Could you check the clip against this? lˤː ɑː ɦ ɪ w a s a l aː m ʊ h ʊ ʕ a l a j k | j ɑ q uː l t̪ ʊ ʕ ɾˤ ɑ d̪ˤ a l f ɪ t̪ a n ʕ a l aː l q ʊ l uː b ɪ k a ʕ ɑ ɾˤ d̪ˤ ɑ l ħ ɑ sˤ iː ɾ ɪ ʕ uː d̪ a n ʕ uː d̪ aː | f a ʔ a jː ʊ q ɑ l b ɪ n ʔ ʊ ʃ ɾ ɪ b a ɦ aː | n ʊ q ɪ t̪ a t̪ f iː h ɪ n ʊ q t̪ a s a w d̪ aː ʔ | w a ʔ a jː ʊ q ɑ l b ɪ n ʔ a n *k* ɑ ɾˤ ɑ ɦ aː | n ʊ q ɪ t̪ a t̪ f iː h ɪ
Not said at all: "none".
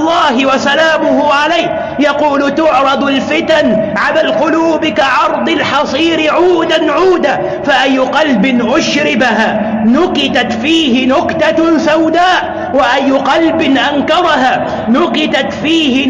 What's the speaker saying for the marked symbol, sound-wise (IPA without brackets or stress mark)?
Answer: k